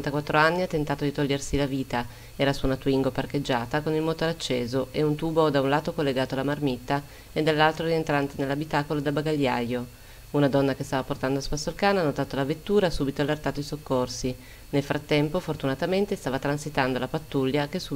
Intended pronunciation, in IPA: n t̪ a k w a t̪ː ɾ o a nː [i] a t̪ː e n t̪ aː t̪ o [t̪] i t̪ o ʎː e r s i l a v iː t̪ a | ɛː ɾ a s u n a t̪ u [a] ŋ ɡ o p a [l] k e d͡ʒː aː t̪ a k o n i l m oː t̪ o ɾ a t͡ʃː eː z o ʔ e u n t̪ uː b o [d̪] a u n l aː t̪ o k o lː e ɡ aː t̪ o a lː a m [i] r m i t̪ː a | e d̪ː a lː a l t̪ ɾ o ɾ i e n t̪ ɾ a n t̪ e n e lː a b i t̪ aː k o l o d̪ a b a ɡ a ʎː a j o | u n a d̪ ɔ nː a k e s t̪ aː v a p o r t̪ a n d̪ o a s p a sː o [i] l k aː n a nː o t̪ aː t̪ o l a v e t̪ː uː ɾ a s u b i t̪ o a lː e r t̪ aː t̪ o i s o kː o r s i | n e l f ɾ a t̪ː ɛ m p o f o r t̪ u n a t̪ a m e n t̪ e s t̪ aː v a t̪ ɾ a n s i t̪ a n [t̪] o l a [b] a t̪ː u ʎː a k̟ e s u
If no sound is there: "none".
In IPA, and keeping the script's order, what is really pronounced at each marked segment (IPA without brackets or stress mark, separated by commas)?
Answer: i, d̪, i, r, d̪, a, a, d̪, p